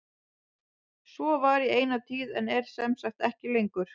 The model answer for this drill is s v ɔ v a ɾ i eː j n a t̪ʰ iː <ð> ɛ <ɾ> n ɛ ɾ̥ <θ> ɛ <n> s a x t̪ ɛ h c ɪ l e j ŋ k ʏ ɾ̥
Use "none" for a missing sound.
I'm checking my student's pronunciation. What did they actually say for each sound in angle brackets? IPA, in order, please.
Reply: ð, none, s, m

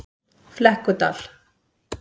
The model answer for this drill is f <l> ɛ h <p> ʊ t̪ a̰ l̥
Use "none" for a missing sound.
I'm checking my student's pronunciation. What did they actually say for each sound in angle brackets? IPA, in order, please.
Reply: l, k

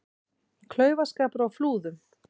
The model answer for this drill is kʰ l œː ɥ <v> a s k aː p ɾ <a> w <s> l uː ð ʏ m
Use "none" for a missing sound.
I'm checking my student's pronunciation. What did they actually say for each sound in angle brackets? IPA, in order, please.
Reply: v, a, f

